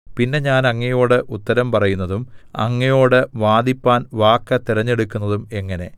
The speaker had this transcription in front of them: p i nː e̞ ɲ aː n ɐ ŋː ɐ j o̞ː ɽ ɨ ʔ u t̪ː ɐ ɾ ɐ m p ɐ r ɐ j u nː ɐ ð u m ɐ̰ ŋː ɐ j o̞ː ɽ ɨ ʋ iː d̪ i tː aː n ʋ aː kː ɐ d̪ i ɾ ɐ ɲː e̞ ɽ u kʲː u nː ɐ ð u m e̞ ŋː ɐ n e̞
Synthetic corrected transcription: p i nː e̞ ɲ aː n ɐ ŋː ɐ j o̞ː ɽ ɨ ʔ u t̪ː ɐ ɾ ɐ m p ɐ r ɐ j u nː ɐ ð u m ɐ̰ ŋː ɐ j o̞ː ɽ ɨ ʋ aː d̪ i pː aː n ʋ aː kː ɐ t̪ i ɾ ɐ ɲː e̞ ɽ u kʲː u nː ɐ ð u m e̞ ŋː ɐ n e̞

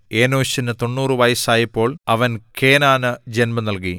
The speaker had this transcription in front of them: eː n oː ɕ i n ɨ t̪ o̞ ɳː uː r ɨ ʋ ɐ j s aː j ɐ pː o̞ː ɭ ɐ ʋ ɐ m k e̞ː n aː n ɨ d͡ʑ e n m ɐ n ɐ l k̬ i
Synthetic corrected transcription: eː n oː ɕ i n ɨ t̪ o̞ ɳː uː r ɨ ʋ ɐ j s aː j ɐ pː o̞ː ɭ ɐ ʋ ɐ n k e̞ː n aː n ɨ d͡ʑ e n m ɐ n ɐ l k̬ i

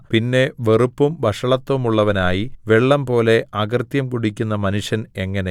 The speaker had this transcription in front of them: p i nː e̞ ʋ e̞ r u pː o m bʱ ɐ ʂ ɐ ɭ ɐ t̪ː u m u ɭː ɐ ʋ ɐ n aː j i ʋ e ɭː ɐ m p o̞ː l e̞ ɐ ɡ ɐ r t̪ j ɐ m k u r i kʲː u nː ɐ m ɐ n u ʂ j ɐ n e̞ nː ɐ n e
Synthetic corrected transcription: p i nː e̞ ʋ e̞ r u pː u m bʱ ɐ ʂ ɐ ɭ ɐ t̪ː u m u ɭː ɐ ʋ ɐ n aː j i ʋ e ɭː ɐ m p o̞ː l e̞ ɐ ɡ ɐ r t̪ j ɐ m k u ɽ i kʲː u nː ɐ m ɐ n u ʂ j ɐ n e̞ ŋː ɐ n e

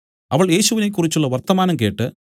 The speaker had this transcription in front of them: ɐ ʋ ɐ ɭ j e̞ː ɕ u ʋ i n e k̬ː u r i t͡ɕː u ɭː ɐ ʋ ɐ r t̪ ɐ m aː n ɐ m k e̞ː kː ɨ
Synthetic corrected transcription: ɐ ʋ ɐ ɭ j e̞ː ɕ u ʋ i n e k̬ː u r i t͡ɕː u ɭː ɐ ʋ ɐ r t̪ ɐ m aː n ɐ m k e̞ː ʈː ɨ

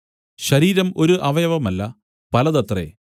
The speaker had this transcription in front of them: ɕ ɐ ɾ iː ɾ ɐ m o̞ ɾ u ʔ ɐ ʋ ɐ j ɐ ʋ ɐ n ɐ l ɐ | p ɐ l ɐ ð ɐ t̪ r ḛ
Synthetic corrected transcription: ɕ ɐ ɾ iː ɾ ɐ m o̞ ɾ u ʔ ɐ ʋ ɐ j ɐ ʋ ɐ m ɐ lː ɐ | p ɐ l ɐ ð ɐ t̪ r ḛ

